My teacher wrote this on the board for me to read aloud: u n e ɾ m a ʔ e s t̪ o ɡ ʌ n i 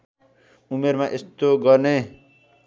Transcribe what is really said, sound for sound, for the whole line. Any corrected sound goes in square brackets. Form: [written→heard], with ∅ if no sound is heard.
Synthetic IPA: u [n→m] e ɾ m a ʔ e s t̪ o ɡ ʌ n [i→e]